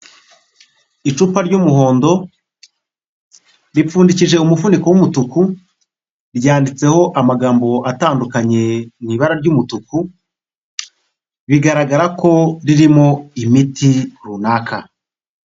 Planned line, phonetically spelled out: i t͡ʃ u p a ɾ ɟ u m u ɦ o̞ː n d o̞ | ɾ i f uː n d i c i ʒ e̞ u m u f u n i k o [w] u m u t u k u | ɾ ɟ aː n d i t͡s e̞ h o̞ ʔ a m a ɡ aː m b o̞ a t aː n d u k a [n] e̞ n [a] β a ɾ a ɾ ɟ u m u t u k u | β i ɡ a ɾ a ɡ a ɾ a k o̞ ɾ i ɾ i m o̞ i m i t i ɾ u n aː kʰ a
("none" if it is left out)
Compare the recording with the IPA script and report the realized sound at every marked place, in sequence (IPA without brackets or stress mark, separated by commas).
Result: w, ɲ, i